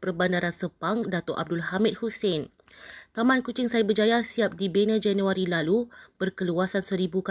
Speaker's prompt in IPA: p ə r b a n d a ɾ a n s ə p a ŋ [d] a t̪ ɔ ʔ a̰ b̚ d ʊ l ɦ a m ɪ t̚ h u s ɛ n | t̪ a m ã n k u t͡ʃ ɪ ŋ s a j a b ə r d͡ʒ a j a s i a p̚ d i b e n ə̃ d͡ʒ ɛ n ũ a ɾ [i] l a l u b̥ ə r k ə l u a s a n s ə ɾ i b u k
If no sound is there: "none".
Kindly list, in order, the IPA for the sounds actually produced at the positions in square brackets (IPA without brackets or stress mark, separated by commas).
d, i